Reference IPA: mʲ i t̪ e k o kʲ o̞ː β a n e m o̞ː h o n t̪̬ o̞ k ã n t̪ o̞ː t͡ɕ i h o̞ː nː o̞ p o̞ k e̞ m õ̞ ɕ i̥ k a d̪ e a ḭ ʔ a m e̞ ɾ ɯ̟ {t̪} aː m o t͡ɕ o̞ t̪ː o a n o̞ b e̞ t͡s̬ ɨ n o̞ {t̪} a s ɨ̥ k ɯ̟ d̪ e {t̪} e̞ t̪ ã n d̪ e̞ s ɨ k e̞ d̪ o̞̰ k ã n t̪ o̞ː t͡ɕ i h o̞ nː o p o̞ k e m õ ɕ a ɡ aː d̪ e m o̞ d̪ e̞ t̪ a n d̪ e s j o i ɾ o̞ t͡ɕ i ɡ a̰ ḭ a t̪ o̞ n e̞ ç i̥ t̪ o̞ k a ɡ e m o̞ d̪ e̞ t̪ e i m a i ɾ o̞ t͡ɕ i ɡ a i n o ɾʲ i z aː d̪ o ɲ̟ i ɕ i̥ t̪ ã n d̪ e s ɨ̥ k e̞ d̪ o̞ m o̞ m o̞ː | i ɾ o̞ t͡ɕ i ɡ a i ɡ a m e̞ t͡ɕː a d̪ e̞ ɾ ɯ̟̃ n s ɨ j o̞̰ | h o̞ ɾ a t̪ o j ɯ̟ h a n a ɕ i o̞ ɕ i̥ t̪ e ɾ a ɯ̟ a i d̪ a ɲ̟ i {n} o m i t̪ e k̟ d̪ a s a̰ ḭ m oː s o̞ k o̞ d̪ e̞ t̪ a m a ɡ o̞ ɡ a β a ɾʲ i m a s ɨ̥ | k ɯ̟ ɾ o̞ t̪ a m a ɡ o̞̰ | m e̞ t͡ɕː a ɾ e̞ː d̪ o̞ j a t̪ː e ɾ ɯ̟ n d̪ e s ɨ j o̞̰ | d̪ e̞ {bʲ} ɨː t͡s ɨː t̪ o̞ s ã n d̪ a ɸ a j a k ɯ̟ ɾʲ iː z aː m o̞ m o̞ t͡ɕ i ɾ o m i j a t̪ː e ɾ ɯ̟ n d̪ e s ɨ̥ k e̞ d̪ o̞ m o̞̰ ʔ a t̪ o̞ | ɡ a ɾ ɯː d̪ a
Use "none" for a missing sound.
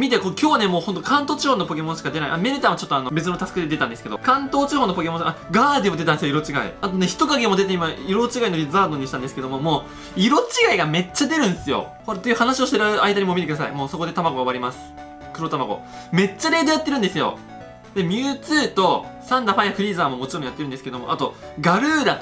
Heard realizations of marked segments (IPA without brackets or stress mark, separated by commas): t̪, t̪, d̪, m, mʲ